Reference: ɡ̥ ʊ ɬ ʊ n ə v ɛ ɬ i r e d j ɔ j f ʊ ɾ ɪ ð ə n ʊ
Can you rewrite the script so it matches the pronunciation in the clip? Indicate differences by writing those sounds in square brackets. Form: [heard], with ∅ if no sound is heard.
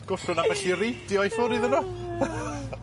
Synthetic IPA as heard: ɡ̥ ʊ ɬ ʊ n [a] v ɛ ɬ i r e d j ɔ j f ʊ ɾ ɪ ð ə n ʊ